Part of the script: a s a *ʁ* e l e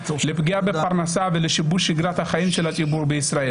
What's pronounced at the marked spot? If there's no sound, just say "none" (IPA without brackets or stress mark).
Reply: v